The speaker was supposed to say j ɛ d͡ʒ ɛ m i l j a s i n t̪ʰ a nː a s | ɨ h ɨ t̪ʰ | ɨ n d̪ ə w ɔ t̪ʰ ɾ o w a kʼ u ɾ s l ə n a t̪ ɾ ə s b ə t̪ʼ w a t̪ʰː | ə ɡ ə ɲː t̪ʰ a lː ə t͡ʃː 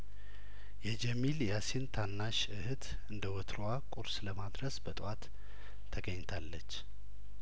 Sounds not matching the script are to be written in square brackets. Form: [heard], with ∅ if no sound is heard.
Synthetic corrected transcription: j ɛ d͡ʒ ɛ m i l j a s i n t̪ʰ a nː a [ʃ] | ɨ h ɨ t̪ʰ | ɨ n d̪ ə w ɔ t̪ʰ ɾ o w a kʼ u ɾ s l ə [m] a [d̪] ɾ ə s b ə t̪ʼ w a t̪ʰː | ə ɡ ə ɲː t̪ʰ a lː ə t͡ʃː